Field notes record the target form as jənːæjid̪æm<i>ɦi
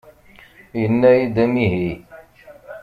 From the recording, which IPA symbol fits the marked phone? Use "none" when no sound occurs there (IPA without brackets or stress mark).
i